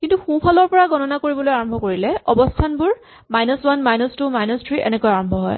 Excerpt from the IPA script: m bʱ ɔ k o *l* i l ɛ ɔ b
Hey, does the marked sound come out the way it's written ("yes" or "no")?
no